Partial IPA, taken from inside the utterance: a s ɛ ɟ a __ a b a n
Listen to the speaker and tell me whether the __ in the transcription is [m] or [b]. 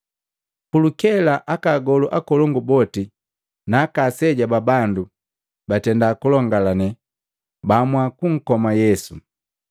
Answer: b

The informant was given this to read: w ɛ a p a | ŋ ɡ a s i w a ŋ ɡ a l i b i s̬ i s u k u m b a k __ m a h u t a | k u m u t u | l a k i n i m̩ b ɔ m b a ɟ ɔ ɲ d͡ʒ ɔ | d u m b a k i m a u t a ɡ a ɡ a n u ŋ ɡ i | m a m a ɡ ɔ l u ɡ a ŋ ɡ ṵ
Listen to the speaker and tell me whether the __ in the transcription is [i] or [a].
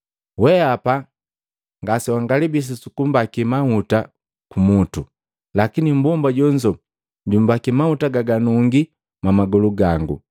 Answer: i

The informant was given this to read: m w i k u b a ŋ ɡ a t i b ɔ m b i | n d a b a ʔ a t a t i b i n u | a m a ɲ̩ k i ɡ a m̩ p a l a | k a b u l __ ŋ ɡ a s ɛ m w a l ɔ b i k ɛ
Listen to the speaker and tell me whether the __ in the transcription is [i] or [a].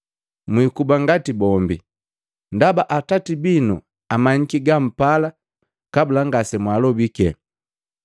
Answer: a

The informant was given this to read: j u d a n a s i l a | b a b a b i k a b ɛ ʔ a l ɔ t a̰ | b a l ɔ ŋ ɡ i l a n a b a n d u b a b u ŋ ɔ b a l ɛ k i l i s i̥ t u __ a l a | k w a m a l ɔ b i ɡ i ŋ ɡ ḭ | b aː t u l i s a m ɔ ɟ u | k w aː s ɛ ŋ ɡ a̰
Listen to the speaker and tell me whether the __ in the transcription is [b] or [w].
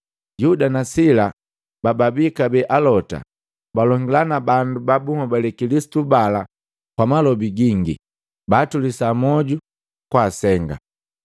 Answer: b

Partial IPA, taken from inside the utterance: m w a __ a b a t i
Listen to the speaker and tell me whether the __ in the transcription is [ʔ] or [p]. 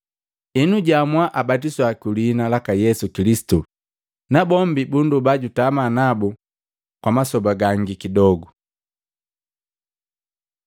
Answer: ʔ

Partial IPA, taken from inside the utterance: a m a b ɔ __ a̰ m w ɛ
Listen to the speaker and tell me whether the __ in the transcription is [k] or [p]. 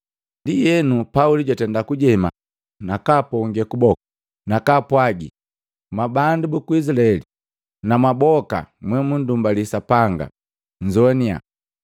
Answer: k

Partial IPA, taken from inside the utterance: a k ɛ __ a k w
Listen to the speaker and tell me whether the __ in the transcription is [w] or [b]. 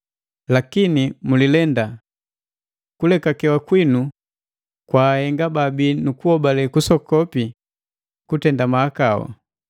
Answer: w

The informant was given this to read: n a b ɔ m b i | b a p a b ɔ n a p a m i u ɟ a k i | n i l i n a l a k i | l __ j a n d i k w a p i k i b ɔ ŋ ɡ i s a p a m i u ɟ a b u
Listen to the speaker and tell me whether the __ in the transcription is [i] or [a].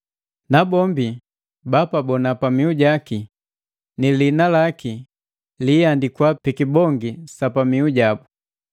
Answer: i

